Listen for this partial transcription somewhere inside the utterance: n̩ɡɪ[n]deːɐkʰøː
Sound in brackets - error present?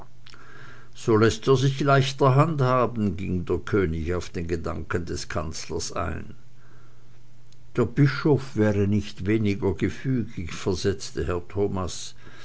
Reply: yes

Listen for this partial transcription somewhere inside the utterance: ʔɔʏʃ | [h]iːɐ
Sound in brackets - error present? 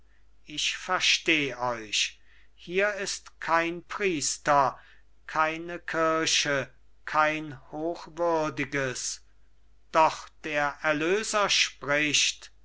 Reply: no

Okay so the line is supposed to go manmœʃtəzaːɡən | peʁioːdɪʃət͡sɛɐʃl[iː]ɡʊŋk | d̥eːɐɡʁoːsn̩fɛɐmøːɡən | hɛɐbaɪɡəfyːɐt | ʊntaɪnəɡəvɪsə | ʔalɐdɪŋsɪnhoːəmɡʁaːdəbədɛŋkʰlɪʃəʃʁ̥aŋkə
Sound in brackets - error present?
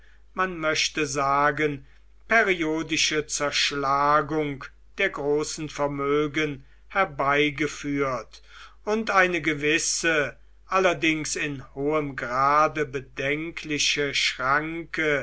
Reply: yes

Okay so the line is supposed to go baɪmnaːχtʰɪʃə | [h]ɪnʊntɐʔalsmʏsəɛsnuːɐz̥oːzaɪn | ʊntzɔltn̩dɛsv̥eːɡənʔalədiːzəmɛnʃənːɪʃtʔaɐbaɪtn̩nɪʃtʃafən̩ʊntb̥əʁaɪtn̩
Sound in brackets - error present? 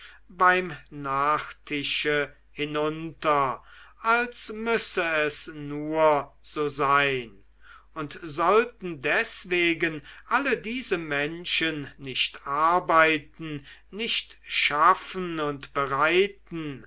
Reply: no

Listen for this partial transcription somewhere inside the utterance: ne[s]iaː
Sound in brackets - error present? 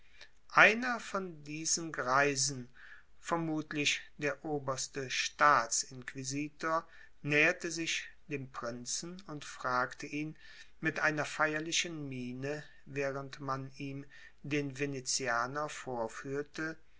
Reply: yes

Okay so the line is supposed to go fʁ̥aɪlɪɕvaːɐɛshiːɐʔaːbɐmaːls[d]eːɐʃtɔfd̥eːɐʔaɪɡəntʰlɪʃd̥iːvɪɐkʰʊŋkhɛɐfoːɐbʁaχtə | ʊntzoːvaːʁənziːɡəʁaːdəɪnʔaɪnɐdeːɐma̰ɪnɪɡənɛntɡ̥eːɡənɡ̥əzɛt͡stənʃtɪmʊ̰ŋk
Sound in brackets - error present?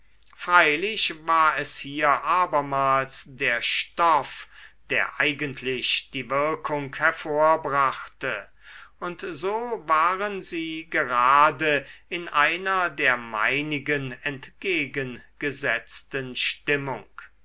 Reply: no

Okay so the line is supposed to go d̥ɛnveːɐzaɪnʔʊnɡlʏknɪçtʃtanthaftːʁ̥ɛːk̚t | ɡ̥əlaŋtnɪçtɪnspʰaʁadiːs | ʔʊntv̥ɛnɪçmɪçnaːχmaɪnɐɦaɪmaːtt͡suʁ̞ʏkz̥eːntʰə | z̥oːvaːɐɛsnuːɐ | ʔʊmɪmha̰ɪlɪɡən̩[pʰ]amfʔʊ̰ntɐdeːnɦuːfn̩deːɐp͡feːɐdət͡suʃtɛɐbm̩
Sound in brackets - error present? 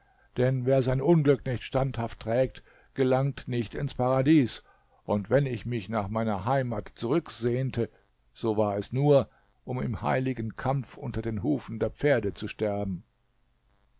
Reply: yes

